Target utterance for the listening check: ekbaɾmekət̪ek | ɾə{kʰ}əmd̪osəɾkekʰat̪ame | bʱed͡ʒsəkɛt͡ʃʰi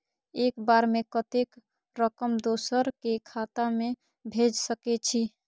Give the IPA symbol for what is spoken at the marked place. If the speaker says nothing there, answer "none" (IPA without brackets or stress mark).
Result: k